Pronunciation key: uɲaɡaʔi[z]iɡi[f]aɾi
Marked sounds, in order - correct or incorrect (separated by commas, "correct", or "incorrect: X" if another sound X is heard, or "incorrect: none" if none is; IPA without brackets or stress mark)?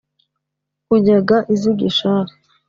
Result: correct, incorrect: ʃ